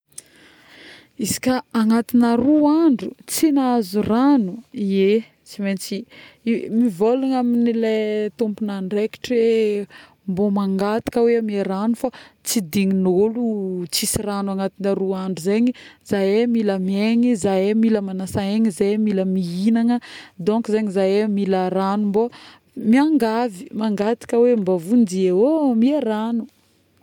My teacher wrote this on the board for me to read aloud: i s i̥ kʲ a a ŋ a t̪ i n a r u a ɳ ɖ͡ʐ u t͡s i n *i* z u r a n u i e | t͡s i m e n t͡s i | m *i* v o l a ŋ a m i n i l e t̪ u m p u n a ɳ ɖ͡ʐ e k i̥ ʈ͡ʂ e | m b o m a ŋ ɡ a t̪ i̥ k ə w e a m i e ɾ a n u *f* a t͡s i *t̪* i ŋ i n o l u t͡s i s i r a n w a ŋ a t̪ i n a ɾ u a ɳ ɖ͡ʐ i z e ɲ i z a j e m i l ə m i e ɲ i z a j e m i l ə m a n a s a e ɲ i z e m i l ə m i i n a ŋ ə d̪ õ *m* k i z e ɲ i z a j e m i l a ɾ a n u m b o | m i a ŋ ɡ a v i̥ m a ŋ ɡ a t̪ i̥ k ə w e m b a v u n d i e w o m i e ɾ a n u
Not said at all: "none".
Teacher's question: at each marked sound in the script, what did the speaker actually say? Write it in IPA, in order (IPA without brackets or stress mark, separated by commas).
a, i, f, d̪, ŋ